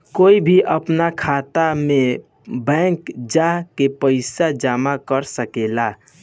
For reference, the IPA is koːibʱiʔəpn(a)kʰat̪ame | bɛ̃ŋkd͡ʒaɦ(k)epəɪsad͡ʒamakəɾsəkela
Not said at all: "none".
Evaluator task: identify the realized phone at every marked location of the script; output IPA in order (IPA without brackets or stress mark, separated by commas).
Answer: a, k